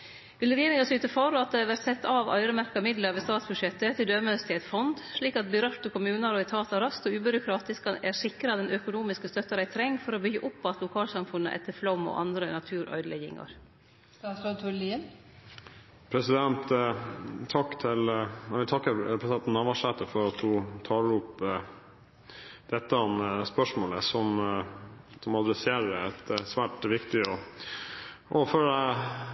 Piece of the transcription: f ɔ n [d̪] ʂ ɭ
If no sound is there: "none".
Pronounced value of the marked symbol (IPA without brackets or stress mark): d̪